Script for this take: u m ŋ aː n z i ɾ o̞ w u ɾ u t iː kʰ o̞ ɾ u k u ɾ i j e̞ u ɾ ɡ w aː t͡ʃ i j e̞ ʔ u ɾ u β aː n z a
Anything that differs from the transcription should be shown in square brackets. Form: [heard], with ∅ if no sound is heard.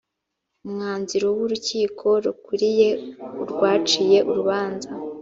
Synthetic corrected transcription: u m ŋ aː n z i ɾ o̞ w u ɾ u [c] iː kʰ o̞ ɾ u k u ɾ i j e̞ u ɾ ɡ w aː t͡ʃ i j e̞ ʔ u ɾ u β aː n z a